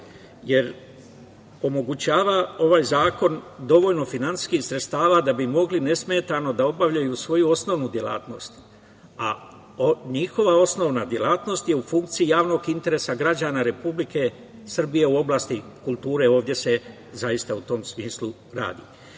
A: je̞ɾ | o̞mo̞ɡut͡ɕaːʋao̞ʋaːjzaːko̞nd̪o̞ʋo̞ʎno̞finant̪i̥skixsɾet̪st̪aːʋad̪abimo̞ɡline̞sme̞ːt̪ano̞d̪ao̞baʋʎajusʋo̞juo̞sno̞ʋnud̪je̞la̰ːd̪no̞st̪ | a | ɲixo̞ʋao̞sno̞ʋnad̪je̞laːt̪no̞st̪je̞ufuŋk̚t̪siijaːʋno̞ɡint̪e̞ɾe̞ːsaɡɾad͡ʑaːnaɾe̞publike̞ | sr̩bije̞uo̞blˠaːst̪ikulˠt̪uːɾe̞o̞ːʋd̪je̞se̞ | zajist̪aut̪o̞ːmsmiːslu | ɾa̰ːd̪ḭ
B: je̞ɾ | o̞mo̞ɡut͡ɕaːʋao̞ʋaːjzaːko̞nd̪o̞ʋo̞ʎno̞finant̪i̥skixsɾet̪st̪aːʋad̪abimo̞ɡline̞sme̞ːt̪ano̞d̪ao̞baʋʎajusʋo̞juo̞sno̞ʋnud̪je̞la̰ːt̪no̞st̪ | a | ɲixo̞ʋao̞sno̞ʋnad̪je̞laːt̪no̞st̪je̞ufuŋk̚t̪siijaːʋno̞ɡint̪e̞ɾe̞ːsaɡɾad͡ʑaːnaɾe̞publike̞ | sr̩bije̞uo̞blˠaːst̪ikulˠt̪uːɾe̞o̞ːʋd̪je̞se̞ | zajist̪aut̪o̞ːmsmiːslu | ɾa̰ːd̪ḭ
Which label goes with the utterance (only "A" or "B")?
B